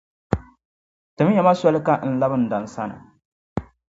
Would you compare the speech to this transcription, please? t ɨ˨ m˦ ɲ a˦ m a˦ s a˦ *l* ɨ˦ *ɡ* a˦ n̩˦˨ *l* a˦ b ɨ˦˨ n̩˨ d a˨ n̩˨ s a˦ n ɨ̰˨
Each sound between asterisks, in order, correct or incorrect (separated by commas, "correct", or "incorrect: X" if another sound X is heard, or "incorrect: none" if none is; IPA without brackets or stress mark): correct, incorrect: k, correct